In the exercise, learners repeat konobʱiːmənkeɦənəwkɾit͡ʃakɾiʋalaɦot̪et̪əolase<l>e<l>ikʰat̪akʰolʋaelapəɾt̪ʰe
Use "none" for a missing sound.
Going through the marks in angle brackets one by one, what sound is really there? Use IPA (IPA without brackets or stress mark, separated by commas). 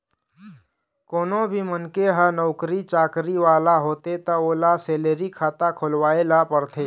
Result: l, ɾ